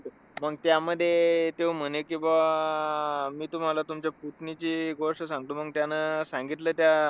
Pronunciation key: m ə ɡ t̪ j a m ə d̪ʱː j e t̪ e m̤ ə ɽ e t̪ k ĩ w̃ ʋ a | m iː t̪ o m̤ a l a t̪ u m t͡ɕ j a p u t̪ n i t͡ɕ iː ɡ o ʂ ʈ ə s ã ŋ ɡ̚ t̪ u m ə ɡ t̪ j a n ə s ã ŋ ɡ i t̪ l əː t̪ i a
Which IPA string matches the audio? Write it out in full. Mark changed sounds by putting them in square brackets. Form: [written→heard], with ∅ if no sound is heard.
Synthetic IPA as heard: m ə ɡ t̪ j a m ə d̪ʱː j e t̪ e m̤ ə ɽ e [t̪→∅] k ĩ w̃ ʋ a | m iː t̪ [o→u] m̤ a l a t̪ u m t͡ɕ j a p u t̪ n i t͡ɕ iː ɡ o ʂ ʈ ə s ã ŋ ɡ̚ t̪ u m ə ɡ t̪ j a n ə s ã ŋ ɡ i t̪ l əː t̪ [i→j] a